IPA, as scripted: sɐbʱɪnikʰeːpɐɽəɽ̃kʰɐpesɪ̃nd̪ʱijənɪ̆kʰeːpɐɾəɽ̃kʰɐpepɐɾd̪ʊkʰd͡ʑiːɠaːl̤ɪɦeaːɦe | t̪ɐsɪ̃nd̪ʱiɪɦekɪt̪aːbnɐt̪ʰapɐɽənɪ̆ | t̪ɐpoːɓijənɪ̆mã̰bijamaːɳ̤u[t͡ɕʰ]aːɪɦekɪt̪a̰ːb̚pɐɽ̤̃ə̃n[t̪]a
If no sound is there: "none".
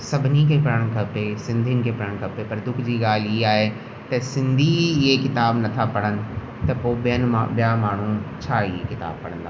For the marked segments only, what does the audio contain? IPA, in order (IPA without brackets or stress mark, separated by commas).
t͡ɕʰ, d̪